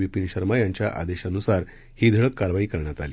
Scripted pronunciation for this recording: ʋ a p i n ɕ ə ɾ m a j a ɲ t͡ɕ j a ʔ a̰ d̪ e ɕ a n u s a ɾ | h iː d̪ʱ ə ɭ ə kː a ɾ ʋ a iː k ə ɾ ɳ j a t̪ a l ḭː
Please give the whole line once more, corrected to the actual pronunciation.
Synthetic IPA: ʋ i p i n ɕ ə ɾ m a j a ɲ t͡ɕ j a ʔ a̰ d̪ e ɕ a n u s a ɾ | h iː d̪ʱ ə ɭ ə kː a ɾ ʋ a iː k ə ɾ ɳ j a t̪ a l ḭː

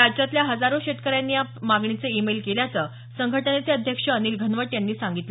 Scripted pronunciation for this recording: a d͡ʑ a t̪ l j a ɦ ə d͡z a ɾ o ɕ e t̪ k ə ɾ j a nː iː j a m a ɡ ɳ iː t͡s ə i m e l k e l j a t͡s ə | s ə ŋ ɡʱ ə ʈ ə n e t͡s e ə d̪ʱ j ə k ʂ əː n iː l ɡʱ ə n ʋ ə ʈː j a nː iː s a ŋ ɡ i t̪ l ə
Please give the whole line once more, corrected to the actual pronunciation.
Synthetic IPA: a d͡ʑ a t̪ l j a ɦ ə d͡z a ɾ o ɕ e t̪ k ə ɾ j a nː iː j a m a ɡ ɳ i t͡s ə i m e l k e l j a t͡s ə | s ə ŋ ɡʱ ə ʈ ə n e t͡s e ə d̪ʱ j ə k ʂ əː n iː l ɡʱ ə n ʋ ə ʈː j a nː iː s a ŋ ɡ i t̪ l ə

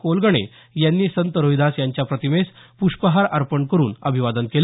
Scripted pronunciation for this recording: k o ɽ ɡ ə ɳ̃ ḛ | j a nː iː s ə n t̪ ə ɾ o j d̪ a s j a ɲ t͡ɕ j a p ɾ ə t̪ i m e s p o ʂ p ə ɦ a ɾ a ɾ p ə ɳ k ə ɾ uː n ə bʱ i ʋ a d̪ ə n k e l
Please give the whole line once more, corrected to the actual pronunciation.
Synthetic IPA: k o l ɡ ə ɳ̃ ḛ | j a nː iː s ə n t̪ ə ɾ o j d̪ a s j a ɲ t͡ɕ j a p ɾ ə t̪ i m e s p u ʂ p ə ɦ a ɾ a ɾ p ə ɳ k ə ɾ uː n ə bʱ i ʋ a d̪ ə n k e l

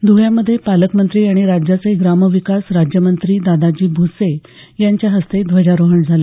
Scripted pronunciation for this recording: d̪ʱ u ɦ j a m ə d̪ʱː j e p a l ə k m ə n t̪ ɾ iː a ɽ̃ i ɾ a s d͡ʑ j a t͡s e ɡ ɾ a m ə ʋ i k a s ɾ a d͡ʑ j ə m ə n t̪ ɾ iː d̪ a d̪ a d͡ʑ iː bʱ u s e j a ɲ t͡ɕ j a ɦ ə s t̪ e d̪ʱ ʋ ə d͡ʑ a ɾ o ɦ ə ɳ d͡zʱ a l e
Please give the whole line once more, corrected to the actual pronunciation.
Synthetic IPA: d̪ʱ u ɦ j a m ə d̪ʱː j e p a l ə k m ə n t̪ ɾ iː a ɽ̃ i ɾ a d͡ʑ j a t͡s e ɡ ɾ a m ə ʋ i k a s ɾ a d͡ʑ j ə m ə n t̪ ɾ iː d̪ a d̪ a d͡ʑ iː bʱ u s e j a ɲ t͡ɕ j a ɦ ə s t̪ e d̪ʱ ʋ ə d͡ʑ a ɾ o ɦ ə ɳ d͡zʱ a l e

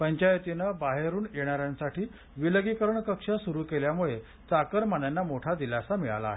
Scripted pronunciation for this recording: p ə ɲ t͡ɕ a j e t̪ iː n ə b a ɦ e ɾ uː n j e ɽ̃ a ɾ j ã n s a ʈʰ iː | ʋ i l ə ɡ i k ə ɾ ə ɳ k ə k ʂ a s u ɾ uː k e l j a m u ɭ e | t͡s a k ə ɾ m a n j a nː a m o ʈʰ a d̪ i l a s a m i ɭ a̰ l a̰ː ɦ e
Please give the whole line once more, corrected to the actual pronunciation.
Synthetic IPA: p ə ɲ t͡ɕ a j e t̪ i n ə b a ɦ e ɾ uː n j e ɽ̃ a ɾ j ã n s a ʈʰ iː | ʋ i l ə ɡ i k ə ɾ ə ɳ k ə k ʂ a s u ɾ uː k e l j a m u ɭ e | t͡s a k ə ɾ m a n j a nː a m o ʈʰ a d̪ i l a s a m i ɭ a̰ l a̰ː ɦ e

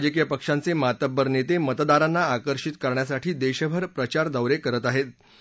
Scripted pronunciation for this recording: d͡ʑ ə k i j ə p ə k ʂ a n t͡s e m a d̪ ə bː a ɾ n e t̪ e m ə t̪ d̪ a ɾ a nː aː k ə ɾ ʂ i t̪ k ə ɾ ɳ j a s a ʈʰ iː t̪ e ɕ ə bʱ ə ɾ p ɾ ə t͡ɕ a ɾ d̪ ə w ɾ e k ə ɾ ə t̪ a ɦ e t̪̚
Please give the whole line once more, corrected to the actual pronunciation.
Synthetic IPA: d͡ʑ ə k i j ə p ə k ʂ a n t͡s e m a t̪ ə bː ə ɾ n e t̪ e m ə t̪ d̪ a ɾ a nː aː k ə ɾ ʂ i t̪ k ə ɾ ɳ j a s a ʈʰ iː d̪ e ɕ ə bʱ ə ɾ p ɾ ə t͡ɕ a ɾ d̪ ə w ɾ e k ə ɾ ə t̪ a ɦ e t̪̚

